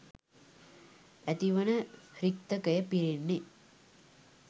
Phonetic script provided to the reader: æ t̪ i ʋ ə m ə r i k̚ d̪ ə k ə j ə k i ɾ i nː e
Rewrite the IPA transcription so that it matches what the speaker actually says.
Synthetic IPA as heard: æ t̪ i ʋ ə n ə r i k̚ t̪ ə k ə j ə p i ɾ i nː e